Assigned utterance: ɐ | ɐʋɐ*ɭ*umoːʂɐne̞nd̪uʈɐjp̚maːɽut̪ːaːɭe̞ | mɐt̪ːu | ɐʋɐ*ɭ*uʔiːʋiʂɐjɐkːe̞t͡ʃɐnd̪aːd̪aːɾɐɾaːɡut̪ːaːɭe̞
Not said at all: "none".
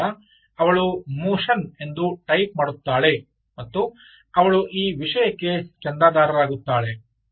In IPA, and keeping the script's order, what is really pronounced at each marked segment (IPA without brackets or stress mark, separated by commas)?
ɭ, ɭ